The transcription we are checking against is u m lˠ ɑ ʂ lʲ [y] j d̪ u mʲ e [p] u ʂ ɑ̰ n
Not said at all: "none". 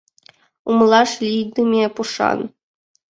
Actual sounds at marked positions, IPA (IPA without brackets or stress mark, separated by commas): i, p